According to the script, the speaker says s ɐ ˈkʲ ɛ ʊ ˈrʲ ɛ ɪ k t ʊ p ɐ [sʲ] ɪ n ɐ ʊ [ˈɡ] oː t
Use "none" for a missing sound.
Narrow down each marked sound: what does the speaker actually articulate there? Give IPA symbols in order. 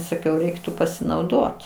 sʲ, d

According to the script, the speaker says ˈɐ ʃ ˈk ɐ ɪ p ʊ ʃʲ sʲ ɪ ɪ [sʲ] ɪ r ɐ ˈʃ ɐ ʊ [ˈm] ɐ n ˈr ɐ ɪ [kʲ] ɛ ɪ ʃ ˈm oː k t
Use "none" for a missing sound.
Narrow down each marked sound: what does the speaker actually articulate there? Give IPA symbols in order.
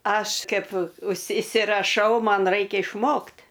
sʲ, m, kʲ

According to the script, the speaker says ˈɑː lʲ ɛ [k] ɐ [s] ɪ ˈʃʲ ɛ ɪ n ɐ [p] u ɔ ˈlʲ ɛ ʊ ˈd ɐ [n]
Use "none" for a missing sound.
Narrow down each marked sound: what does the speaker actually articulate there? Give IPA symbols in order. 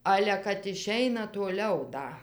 k, t, t, none

